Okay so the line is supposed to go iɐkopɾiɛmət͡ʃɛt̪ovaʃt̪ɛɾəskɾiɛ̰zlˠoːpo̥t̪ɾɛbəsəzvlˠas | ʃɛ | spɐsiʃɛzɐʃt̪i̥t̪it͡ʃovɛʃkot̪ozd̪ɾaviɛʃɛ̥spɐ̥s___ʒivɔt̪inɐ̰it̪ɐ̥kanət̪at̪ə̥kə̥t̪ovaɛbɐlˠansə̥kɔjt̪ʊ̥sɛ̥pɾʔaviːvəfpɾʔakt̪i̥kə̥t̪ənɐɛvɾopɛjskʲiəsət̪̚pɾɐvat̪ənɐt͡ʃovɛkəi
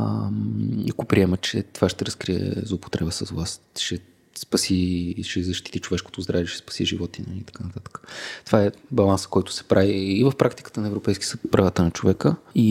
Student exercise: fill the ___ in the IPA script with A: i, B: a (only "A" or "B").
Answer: A